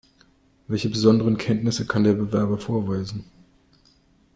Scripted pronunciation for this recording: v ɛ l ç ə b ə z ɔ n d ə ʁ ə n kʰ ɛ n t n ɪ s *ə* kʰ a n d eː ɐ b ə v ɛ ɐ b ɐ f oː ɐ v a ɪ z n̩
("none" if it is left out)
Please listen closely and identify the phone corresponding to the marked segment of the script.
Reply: ə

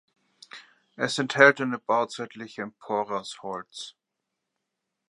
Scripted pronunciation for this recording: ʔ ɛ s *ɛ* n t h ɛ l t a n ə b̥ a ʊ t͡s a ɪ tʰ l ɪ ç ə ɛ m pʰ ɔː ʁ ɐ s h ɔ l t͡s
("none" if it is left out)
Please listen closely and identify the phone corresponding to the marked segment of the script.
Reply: ɛ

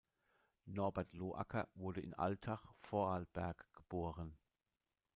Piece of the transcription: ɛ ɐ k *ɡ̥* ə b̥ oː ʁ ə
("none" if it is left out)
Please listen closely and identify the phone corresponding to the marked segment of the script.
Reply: ɡ̥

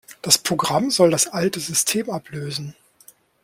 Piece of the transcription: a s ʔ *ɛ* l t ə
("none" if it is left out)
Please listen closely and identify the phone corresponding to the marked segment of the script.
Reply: a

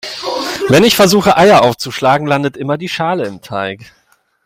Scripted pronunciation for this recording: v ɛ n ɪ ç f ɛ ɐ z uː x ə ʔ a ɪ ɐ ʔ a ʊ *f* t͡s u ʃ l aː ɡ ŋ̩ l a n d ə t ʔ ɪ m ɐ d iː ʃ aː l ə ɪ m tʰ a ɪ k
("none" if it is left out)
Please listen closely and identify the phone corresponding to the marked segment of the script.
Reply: f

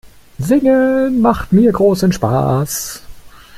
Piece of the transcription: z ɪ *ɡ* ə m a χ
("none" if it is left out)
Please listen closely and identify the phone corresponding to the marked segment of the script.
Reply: ŋ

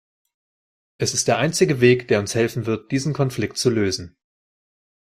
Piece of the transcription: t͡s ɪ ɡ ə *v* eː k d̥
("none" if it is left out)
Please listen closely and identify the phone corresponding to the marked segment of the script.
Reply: v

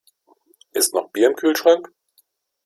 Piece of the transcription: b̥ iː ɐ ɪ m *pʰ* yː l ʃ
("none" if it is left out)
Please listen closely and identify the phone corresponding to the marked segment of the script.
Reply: kʰ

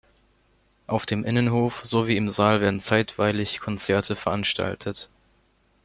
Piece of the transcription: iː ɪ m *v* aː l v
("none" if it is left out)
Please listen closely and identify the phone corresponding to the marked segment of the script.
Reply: z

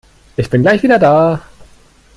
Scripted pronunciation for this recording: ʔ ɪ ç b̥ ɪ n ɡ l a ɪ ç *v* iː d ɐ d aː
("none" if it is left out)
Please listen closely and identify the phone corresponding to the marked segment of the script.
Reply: v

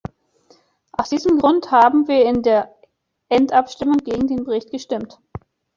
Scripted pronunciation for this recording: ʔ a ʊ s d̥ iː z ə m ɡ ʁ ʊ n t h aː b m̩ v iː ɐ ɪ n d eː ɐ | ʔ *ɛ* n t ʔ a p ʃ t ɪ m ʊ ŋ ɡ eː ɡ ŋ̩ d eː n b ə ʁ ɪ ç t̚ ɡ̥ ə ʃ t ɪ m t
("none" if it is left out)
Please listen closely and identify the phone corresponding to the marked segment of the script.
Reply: ɛ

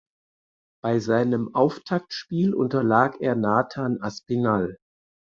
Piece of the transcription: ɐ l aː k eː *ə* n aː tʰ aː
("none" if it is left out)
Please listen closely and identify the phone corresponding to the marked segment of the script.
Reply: ɐ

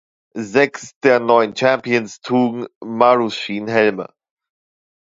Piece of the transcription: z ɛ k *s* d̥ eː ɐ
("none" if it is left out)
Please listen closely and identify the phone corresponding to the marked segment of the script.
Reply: s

